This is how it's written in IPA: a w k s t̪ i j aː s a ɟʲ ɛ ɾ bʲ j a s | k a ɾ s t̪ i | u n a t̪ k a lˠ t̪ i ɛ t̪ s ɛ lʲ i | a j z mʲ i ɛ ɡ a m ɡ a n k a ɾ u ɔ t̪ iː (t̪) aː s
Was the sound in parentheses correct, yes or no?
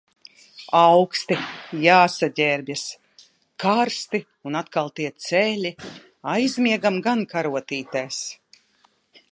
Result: yes